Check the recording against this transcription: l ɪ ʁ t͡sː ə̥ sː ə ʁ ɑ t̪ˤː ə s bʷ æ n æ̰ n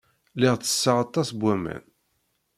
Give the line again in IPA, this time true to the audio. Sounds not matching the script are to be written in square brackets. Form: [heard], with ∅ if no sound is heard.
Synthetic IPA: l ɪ ʁ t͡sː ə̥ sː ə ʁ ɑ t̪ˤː [ɑ] s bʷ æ [m] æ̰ n